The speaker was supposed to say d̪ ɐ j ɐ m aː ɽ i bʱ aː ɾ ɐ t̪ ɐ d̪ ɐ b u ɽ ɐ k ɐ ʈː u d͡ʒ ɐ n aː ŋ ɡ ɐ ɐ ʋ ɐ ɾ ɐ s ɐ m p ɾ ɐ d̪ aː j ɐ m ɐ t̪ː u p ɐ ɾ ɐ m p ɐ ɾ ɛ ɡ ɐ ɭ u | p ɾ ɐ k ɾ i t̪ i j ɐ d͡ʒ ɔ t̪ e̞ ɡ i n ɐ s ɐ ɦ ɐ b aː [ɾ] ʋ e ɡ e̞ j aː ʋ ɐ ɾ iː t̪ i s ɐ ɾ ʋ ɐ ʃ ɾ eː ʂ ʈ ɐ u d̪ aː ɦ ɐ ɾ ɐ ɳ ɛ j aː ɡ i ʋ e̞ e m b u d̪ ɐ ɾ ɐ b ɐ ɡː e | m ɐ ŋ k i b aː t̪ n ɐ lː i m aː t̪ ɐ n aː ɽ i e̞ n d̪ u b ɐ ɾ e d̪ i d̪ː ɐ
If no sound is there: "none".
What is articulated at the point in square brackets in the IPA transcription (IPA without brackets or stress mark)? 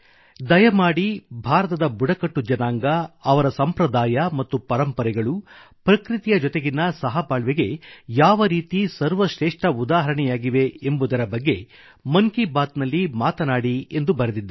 ɭ